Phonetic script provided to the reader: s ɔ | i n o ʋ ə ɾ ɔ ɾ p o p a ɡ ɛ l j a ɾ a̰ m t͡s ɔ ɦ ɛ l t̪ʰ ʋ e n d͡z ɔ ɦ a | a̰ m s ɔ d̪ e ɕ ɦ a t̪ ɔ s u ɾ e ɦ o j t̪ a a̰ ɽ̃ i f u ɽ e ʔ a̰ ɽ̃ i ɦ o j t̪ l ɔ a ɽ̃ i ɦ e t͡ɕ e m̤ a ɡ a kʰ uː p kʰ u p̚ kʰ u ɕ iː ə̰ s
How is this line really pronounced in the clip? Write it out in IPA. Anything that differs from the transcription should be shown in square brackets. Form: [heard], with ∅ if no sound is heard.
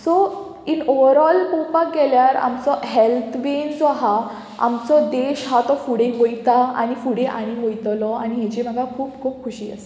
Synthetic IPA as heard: s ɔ | i n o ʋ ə ɾ ɔ [l] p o p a ɡ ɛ l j a ɾ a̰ m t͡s ɔ ɦ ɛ l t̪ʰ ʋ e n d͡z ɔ ɦ a | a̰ m [t͡s] ɔ d̪ e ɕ ɦ a t̪ ɔ [f] u [ɽ] e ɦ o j t̪ a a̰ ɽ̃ i f u ɽ e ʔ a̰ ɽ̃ i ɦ o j t̪ l ɔ a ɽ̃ i ɦ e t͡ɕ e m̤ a ɡ a kʰ uː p kʰ [uː] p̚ kʰ u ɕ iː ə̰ s